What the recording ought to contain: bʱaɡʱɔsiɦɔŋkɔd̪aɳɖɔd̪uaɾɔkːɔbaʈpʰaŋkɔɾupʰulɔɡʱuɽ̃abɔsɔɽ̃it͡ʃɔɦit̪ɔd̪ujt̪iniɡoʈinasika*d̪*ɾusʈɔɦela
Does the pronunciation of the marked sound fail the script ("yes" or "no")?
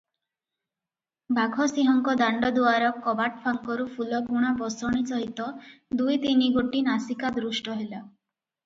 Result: no